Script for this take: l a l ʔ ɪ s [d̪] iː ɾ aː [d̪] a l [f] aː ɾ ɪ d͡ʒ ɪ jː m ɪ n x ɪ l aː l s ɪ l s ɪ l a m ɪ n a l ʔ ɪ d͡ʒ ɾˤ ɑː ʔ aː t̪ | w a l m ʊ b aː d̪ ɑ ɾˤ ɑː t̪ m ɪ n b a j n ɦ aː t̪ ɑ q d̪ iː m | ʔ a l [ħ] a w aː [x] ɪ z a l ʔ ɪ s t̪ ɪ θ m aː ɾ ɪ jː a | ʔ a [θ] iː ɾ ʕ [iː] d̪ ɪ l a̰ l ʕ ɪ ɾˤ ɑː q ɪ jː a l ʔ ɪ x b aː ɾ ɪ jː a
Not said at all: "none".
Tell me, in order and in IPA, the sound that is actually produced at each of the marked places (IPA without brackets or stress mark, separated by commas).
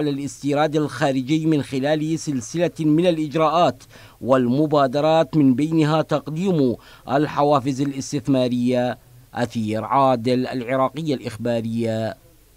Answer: t̪, d̪, x, ħ, f, θ, aː